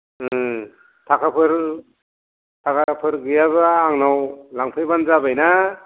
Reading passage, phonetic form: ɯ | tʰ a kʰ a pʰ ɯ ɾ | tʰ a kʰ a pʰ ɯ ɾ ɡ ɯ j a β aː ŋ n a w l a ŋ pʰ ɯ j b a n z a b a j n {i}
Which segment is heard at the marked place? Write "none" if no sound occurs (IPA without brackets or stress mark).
a